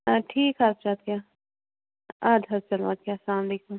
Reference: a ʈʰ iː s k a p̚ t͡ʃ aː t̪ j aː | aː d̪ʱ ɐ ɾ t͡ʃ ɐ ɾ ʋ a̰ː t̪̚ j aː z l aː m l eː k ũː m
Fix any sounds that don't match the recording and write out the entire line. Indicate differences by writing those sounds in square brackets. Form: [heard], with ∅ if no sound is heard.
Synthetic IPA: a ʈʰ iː [∅] k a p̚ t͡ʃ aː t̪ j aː | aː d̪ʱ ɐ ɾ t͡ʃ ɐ [l] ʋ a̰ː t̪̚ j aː [s] l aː m l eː k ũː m